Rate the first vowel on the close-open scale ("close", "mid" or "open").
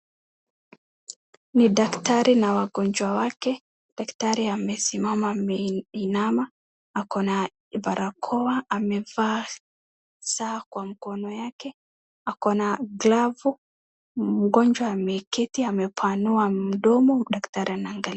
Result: close